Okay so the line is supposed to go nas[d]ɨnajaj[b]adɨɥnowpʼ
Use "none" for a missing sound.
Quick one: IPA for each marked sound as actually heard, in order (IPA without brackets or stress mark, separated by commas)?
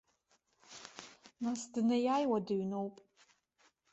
d, w